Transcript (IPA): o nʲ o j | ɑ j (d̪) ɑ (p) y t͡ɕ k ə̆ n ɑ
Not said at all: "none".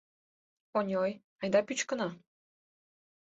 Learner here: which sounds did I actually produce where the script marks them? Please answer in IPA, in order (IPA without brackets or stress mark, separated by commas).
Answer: d̪, p